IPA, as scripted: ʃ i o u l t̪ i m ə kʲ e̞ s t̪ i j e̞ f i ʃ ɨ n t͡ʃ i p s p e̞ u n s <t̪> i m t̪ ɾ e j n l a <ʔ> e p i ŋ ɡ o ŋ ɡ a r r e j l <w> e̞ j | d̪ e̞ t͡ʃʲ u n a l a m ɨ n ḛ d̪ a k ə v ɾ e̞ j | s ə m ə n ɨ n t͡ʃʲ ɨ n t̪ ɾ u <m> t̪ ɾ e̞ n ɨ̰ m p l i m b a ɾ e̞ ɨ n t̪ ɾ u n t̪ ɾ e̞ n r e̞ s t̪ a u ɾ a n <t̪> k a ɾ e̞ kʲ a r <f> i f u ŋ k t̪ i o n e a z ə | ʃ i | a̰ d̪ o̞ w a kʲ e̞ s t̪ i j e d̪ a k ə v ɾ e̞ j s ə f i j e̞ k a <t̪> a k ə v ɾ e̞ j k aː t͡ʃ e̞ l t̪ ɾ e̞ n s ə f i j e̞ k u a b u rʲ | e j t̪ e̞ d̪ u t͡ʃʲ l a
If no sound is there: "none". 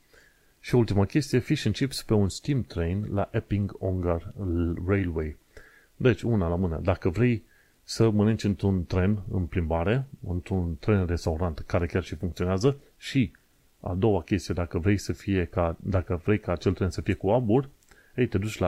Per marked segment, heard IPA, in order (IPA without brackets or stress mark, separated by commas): t̪, ʔ, w, n, t̪, ʃ, d̪